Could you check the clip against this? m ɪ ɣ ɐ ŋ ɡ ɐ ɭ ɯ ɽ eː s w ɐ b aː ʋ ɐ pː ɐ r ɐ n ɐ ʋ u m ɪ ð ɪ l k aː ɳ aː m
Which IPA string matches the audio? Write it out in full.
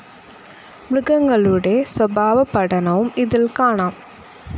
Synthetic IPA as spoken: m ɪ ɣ ɐ ŋ ɡ ɐ ɭ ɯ ɽ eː s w ɐ b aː ʋ ɐ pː ɐ ɽ ɐ n ɐ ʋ ɯ m ɪ ð ɪ l k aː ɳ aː m